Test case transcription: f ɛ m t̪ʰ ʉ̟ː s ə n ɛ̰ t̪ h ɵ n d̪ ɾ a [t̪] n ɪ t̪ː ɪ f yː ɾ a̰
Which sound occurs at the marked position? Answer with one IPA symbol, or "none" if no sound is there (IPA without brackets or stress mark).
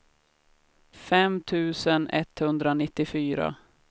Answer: none